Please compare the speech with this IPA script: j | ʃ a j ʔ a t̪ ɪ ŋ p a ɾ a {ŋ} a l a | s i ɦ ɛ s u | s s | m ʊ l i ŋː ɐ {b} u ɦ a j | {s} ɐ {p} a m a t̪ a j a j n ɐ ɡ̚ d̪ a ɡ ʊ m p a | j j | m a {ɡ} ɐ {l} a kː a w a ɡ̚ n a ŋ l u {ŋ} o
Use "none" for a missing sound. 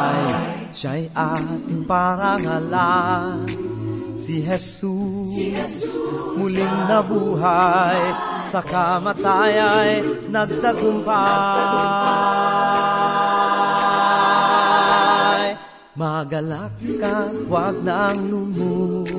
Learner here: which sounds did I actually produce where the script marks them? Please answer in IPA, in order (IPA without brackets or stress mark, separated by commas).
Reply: ŋ, b, s, k, ɡ, l, m